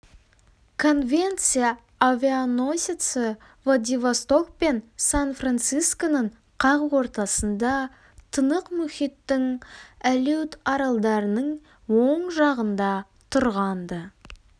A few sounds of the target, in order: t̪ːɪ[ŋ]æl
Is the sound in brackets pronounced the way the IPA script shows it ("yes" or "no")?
yes